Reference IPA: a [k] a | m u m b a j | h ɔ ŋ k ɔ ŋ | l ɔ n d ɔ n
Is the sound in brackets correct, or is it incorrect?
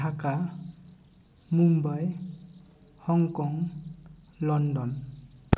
correct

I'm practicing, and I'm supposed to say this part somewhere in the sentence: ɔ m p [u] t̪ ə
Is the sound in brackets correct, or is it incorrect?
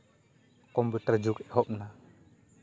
correct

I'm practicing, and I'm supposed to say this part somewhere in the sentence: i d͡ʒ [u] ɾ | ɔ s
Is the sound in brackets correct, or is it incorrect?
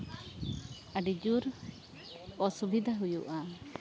correct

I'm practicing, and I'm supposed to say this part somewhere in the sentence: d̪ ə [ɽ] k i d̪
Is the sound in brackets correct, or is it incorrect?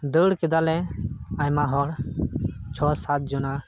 correct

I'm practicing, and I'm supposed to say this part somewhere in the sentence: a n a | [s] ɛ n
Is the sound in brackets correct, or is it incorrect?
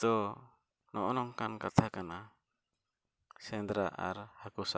correct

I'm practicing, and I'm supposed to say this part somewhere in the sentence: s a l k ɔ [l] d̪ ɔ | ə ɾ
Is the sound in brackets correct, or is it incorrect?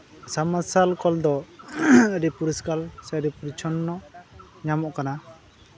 correct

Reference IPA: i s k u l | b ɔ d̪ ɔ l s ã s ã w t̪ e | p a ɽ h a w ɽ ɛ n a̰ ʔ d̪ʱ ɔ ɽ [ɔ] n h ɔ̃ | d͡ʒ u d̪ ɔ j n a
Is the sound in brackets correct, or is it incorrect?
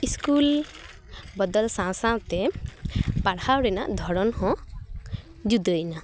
correct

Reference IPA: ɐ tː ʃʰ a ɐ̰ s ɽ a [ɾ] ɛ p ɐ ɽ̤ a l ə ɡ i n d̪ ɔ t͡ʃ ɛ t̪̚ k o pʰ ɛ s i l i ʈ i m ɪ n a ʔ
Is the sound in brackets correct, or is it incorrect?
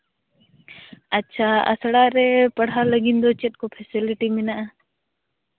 correct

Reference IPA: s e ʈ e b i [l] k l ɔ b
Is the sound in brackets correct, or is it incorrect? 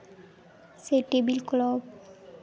correct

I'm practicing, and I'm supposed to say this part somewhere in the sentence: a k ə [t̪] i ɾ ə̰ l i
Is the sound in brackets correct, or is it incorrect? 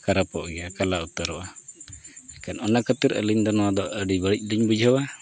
correct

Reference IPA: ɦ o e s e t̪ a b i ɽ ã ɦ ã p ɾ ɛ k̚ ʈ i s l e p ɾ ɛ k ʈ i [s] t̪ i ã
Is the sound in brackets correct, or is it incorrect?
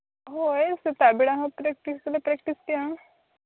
correct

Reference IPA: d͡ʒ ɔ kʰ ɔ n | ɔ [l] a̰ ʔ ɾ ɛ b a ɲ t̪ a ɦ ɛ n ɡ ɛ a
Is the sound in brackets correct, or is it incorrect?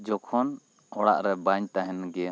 incorrect: ɽ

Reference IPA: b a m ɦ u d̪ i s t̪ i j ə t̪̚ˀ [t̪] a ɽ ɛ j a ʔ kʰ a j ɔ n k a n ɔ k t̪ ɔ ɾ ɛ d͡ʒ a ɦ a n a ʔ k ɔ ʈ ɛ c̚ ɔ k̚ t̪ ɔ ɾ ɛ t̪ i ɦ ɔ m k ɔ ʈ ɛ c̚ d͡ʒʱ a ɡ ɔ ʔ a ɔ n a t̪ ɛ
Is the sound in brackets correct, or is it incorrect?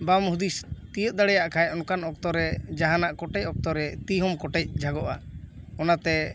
incorrect: d̪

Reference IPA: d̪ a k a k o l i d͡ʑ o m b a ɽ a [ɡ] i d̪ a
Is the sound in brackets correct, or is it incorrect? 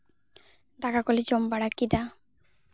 incorrect: k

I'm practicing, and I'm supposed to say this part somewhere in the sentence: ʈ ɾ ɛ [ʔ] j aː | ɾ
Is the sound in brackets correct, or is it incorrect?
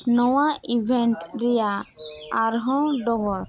incorrect: none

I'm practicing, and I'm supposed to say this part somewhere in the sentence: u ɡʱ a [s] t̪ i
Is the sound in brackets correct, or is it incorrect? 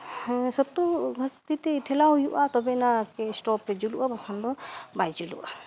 correct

